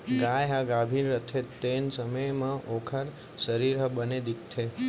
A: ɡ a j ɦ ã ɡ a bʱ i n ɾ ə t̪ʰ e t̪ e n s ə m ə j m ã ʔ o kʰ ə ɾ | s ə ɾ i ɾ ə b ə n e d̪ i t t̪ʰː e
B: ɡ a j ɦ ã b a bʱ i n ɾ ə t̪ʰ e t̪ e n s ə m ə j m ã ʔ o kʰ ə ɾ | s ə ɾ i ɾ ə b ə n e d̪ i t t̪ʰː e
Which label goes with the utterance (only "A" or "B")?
A